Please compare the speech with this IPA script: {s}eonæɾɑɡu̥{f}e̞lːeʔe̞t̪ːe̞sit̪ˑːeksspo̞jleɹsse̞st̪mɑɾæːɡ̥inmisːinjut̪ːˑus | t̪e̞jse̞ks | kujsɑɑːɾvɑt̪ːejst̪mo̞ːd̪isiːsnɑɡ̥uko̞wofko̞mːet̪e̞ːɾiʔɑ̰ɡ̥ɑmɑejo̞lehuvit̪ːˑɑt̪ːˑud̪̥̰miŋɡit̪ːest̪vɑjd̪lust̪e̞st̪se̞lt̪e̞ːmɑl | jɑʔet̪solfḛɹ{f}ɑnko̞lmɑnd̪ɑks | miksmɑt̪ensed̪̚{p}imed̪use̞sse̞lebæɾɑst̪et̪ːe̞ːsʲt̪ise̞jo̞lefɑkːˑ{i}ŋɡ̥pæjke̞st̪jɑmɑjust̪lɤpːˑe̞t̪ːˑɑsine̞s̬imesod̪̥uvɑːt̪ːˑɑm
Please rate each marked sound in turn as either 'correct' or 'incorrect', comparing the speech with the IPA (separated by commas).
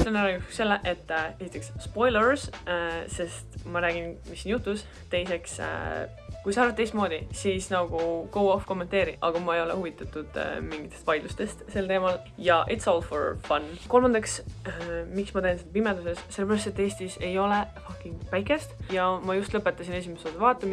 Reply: correct, incorrect, correct, correct, correct